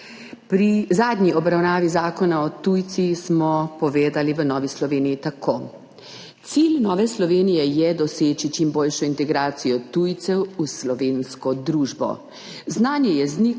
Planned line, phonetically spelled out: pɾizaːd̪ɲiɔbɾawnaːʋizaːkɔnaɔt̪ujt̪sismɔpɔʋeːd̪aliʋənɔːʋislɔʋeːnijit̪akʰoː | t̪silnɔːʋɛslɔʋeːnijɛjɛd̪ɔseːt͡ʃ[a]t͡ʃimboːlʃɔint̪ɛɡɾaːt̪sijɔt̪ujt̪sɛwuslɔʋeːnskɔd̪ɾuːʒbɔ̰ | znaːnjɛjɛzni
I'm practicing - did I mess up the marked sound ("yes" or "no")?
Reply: yes